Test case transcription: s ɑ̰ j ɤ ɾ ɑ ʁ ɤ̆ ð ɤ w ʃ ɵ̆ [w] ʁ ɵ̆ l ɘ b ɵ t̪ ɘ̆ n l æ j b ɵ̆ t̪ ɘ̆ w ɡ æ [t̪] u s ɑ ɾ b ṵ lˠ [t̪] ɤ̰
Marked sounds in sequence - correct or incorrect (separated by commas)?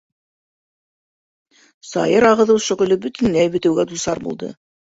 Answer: incorrect, incorrect, incorrect